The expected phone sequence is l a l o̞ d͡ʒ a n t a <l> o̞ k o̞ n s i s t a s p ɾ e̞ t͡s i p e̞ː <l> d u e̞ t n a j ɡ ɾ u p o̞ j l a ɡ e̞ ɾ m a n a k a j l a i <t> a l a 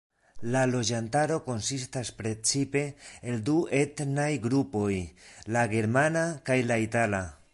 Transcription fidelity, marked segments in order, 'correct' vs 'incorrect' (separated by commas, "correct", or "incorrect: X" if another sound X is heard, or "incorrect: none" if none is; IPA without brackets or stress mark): incorrect: ɾ, correct, correct